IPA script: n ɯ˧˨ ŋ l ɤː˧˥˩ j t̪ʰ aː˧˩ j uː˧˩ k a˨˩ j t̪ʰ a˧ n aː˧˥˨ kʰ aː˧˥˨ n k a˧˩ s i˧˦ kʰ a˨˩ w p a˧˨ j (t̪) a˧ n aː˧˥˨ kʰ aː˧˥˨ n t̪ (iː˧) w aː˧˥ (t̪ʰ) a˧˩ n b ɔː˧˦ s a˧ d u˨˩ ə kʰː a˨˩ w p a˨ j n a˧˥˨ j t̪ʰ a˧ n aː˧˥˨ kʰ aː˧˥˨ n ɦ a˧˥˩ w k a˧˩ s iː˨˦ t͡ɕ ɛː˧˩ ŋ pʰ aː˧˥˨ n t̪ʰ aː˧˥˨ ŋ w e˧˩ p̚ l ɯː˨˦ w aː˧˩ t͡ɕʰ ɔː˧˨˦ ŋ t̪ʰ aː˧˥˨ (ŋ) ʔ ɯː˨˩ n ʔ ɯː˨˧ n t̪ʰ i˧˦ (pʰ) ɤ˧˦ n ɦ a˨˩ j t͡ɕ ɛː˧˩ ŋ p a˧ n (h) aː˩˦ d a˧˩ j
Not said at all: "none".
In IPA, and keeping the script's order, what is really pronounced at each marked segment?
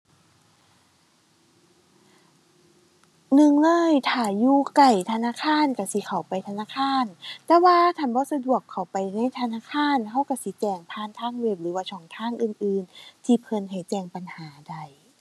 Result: t̪ʰ, ɛː˧, t̪ʰ, ŋ, pʰ, h

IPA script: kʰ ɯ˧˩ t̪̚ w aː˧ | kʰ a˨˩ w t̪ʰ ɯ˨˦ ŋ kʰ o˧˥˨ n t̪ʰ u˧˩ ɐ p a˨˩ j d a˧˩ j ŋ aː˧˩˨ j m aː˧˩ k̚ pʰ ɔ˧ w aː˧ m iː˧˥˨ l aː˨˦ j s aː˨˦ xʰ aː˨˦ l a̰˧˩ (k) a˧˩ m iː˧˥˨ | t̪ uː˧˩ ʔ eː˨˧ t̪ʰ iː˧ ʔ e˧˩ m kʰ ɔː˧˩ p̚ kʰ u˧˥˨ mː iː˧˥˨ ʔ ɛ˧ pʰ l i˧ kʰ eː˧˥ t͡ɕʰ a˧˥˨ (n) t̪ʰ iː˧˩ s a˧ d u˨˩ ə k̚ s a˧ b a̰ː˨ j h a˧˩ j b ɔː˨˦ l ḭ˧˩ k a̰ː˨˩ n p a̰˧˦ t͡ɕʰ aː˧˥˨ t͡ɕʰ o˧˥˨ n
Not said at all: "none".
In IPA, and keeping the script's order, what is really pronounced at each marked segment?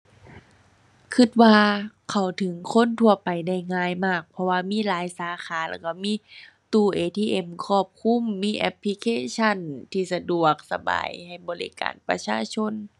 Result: k, n

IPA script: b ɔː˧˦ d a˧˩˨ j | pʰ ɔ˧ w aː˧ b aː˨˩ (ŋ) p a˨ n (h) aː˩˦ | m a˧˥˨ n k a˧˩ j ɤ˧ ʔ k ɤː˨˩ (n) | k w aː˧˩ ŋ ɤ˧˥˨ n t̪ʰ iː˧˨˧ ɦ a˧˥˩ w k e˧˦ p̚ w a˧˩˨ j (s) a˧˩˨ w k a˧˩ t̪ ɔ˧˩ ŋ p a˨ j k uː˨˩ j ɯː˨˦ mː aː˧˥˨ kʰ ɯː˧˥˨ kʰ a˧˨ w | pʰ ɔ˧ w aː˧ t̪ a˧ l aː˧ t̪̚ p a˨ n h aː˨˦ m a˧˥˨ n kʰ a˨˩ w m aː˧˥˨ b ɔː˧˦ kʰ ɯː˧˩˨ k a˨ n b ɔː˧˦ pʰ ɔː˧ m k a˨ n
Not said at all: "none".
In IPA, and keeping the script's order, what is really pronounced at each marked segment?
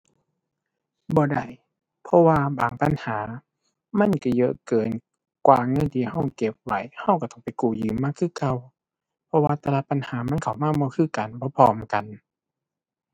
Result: ŋ, h, n, h

